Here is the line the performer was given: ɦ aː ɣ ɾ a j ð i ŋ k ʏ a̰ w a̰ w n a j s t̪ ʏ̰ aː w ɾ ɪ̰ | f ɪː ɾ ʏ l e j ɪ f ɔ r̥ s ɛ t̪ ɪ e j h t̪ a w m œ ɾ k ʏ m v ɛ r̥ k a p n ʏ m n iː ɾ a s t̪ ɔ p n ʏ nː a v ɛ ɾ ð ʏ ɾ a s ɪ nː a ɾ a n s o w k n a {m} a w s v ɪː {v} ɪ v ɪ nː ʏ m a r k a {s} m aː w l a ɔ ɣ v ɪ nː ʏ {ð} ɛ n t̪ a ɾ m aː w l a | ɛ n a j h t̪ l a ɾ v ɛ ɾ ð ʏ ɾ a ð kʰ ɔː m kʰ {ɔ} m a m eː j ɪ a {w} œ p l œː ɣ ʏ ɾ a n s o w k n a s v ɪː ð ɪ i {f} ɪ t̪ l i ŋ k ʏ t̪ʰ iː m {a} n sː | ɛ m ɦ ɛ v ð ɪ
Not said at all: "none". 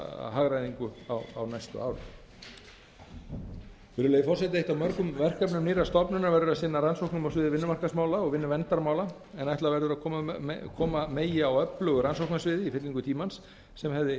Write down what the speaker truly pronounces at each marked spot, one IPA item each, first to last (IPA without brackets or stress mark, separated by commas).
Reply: m, ð, s, v, ɔː, w, f, a